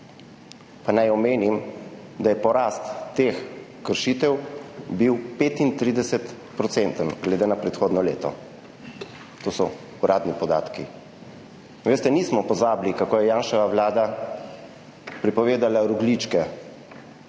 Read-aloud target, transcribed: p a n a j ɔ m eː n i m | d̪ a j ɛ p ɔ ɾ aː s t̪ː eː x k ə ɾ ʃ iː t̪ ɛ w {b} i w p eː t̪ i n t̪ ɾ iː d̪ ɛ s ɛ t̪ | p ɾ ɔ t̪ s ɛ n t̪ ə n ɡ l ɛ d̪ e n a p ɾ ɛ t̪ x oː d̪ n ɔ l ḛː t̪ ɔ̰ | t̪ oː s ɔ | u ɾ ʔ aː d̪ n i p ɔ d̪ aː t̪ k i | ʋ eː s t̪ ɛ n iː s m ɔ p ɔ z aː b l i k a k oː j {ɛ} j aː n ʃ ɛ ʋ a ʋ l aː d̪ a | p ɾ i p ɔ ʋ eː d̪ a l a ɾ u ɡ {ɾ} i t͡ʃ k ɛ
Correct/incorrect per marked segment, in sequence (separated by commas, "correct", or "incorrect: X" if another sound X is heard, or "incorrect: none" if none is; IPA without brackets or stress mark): correct, correct, incorrect: l